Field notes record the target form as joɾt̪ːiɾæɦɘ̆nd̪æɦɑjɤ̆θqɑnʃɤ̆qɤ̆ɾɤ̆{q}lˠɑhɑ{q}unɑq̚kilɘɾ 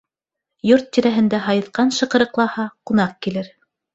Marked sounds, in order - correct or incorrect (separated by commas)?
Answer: correct, correct